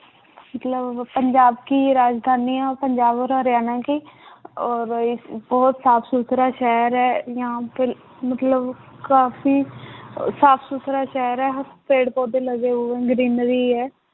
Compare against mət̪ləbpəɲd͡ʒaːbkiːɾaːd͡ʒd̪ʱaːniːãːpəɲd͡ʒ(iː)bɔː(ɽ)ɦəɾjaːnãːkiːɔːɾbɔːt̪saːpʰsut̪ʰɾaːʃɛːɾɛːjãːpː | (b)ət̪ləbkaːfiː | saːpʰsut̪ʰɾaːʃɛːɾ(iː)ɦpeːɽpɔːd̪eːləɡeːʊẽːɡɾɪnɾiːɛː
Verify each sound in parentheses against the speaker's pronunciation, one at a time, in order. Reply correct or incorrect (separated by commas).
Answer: incorrect, incorrect, incorrect, incorrect